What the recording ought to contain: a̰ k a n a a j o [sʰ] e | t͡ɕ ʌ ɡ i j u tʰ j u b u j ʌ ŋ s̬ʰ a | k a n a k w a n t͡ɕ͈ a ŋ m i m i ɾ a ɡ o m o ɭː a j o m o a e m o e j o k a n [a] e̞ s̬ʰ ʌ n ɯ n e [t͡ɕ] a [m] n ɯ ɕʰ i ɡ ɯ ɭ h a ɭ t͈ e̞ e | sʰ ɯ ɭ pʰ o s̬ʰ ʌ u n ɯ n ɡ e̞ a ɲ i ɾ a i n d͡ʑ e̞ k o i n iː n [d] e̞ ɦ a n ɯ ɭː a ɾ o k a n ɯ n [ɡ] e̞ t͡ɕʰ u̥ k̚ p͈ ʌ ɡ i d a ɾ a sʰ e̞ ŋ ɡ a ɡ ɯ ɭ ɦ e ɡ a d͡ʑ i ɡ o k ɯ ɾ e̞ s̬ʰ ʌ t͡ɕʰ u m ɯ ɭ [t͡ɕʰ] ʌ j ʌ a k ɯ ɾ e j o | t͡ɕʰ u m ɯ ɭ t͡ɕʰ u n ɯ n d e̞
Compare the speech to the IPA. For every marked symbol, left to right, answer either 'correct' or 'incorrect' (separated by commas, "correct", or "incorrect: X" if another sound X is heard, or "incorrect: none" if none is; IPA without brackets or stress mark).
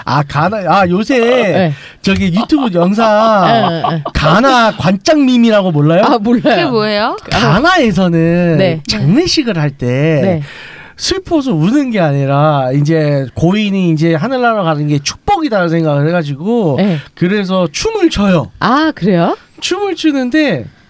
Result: correct, correct, correct, incorrect: ŋ, incorrect: d͡ʑ, correct, correct